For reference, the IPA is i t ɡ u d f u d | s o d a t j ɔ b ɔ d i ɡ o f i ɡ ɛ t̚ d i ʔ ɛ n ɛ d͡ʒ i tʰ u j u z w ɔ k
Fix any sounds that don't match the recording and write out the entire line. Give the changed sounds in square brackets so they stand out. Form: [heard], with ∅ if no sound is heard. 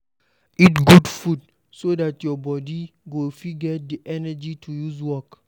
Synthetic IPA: i t ɡ u d f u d | s o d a t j ɔ b ɔ d i ɡ o f i ɡ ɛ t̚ d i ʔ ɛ n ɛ d͡ʒ i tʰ u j u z w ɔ k